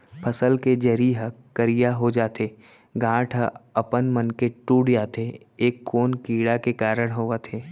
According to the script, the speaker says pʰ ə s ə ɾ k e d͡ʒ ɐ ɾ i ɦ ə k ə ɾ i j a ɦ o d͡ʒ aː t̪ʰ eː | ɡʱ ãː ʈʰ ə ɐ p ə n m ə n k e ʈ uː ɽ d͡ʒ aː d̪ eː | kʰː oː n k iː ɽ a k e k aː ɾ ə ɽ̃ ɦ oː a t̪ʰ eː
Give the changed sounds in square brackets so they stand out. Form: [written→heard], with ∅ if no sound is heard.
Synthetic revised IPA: pʰ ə s ə [ɾ→l] k e d͡ʒ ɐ ɾ i ɦ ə k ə ɾ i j a ɦ o d͡ʒ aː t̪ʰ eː | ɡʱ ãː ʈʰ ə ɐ p ə n m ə n k e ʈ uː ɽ d͡ʒ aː [d̪→t̪] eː | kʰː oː n k iː ɽ a k e k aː ɾ ə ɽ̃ ɦ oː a t̪ʰ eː

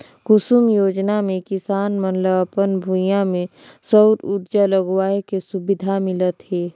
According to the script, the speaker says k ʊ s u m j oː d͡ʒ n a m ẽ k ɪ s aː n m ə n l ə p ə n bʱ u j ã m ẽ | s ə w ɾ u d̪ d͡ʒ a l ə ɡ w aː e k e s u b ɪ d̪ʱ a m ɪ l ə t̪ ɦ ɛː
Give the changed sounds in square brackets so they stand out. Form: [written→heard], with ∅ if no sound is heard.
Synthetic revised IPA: k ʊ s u m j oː d͡ʒ n a m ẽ k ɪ s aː n m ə n l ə p ə n bʱ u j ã m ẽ | s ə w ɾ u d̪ d͡ʒ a l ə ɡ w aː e k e s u b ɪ d̪ʱ a m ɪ l ə t̪ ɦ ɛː

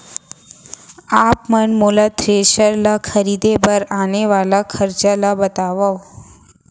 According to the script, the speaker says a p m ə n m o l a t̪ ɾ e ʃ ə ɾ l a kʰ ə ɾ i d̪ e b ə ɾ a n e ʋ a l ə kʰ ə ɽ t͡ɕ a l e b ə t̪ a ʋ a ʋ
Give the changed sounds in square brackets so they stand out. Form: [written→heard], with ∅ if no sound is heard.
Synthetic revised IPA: a p m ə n m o l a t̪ ɾ e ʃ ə ɾ l a kʰ ə ɾ i d̪ e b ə ɾ a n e ʋ a l [ə→a] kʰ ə [ɽ→ɾ] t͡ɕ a l [e→a] b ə t̪ a ʋ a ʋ

